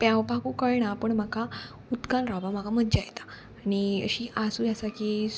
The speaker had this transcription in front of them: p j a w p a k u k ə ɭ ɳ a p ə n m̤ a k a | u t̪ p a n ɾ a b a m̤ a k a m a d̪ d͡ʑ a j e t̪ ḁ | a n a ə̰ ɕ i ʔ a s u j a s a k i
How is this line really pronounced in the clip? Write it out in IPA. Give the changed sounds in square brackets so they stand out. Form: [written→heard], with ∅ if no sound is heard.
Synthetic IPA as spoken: p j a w p a k u k ə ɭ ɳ a p ə [n→ɳ] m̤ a k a | u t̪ [p→k] a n ɾ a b a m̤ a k a m [a→ə] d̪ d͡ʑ a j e t̪ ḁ | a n [a→i] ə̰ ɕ i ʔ a s u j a s a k i